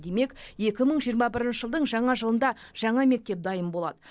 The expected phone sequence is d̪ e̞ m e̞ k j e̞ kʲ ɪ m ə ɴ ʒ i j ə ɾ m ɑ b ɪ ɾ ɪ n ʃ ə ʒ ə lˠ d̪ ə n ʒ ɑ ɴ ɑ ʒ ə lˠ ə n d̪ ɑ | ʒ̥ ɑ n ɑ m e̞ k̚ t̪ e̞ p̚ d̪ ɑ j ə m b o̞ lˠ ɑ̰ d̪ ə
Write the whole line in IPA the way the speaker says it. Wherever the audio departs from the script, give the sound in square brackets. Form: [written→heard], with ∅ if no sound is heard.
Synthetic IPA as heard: d̪ e̞ m e̞ k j e̞ kʲ ɪ m ə ɴ ʒ i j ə ɾ m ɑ b ɪ ɾ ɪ n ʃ ə ʒ ə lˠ d̪ ə [n→ɴ] ʒ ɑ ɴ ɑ ʒ ə lˠ ə n d̪ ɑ | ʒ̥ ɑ [n→ɴ] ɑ m e̞ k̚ t̪ e̞ p̚ d̪ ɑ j ə m b o̞ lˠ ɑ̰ d̪ ə